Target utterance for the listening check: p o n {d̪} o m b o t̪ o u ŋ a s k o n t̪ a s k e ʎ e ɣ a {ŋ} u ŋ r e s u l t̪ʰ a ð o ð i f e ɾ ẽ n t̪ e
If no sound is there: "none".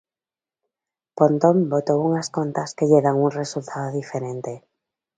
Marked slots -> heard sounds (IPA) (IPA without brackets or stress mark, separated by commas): t̪, ŋ